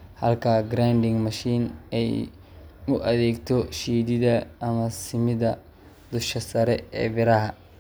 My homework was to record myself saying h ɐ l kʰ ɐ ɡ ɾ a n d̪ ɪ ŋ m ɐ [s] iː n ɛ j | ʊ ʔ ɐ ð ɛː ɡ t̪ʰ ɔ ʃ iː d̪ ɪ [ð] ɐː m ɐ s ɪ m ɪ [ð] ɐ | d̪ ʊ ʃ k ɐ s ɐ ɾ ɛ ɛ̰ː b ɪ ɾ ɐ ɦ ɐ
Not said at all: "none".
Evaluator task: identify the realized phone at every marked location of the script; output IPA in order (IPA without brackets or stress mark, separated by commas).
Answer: ʃ, ð, ð